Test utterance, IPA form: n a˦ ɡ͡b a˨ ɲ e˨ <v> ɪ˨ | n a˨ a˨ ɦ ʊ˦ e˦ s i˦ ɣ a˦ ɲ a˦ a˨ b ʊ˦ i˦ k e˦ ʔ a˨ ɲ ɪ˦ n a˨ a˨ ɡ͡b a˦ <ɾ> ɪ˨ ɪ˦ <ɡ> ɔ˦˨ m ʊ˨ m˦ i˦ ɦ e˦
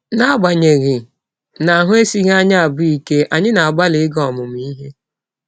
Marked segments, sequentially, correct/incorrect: incorrect, incorrect, correct

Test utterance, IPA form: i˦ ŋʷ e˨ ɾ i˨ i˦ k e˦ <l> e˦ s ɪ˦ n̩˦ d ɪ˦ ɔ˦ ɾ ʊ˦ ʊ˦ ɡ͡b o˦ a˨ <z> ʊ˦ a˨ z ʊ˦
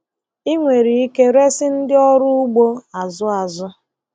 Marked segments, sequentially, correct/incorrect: incorrect, correct

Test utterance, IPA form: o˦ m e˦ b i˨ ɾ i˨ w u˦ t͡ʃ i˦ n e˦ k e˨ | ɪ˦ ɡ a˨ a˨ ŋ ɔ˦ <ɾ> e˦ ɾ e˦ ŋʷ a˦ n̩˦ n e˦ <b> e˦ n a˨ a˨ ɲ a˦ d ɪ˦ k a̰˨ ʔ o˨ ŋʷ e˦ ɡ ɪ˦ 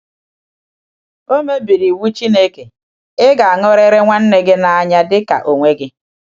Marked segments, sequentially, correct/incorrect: correct, incorrect

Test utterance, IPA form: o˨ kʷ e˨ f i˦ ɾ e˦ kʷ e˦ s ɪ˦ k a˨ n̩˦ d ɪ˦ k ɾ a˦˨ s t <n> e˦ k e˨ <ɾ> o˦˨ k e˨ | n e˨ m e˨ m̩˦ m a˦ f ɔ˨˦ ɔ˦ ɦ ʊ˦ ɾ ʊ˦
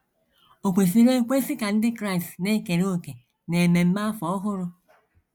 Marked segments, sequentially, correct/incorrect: correct, correct

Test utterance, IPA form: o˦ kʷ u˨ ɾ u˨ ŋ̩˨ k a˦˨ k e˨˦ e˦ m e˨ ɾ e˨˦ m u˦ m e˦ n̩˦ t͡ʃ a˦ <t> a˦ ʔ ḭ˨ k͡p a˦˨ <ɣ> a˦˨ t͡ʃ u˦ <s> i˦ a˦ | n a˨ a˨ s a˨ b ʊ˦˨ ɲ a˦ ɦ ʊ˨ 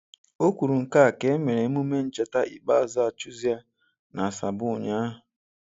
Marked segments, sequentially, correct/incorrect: correct, incorrect, incorrect

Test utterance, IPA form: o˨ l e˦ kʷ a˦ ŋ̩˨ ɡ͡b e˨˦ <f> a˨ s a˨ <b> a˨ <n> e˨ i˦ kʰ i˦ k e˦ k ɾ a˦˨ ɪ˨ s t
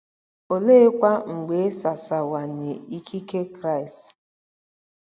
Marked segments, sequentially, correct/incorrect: incorrect, incorrect, incorrect

